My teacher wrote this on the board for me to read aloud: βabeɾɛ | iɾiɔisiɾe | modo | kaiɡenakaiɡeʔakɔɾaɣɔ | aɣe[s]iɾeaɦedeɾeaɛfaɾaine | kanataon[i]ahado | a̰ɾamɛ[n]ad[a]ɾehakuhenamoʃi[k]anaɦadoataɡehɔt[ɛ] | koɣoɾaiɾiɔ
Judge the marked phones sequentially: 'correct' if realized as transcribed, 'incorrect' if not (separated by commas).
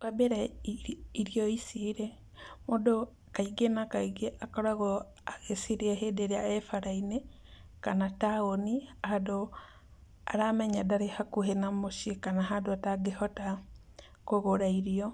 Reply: correct, correct, incorrect, correct, correct, incorrect